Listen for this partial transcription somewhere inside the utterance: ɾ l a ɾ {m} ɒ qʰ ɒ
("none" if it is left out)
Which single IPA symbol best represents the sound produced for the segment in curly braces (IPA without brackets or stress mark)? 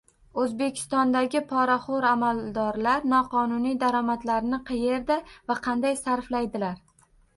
n